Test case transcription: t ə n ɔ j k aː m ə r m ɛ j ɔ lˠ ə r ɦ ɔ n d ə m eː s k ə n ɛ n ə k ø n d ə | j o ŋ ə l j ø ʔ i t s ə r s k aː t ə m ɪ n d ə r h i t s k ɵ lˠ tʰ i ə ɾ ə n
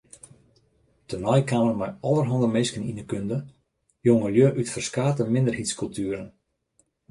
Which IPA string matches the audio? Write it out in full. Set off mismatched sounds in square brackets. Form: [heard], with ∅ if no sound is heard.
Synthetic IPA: t ə n ɔ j k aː m ə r m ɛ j ɔ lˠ ə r ɦ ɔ n d ə m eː s k ə n [i] n ə k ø n d ə | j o ŋ ə l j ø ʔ [y] t [f] ə r s k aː t ə m ɪ n d ə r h i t s k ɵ lˠ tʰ [y] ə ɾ ə n